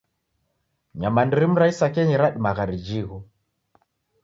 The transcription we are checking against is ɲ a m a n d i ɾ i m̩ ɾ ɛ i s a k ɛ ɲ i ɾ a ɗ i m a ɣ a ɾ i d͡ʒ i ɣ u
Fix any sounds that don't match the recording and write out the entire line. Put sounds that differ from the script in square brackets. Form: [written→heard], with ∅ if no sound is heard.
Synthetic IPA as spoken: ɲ a m a n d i ɾ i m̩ ɾ [ɛ→a] i s a k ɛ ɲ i ɾ a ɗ i m a ɣ a ɾ i d͡ʒ i ɣ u